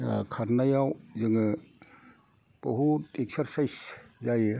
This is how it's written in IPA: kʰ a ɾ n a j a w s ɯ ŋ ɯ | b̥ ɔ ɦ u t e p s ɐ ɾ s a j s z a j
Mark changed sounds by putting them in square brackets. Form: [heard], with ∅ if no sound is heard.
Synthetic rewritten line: kʰ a ɾ n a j a w [z] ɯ ŋ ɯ | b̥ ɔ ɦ u t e [k] s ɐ ɾ s a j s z a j